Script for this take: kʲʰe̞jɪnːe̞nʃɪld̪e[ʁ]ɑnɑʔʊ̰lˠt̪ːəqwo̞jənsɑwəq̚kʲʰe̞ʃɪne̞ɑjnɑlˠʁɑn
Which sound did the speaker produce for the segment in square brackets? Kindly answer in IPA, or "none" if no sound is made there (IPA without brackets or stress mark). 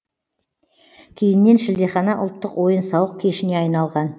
χ